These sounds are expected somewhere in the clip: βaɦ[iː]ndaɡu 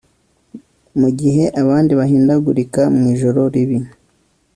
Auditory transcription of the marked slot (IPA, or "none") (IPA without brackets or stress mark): iː